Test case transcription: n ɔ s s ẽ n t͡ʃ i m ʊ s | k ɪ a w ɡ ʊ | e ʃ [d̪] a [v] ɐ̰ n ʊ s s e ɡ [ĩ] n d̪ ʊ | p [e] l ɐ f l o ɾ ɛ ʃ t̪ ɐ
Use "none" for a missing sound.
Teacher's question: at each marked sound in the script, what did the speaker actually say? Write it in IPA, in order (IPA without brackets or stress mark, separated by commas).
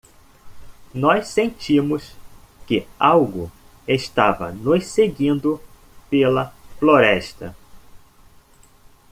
t̪, v, ĩ, e